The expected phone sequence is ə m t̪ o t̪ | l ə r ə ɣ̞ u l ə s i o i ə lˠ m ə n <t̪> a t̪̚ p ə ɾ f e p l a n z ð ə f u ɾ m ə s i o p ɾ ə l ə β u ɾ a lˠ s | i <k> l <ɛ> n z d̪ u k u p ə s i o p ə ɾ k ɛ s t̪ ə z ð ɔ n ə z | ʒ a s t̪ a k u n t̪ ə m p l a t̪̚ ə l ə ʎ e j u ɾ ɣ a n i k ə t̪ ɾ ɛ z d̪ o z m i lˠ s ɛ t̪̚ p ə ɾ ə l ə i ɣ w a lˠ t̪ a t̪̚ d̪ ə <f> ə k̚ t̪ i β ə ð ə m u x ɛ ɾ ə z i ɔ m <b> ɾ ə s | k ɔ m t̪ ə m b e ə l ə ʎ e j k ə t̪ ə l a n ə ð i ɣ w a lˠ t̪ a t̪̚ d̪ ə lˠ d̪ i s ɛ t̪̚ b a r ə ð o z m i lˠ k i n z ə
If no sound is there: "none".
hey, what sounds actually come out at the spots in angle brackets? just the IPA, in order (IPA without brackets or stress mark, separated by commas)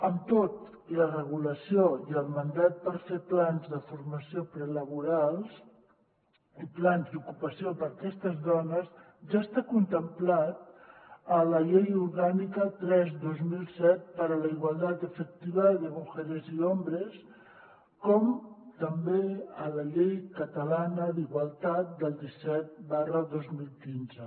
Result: d̪, p, a, f, b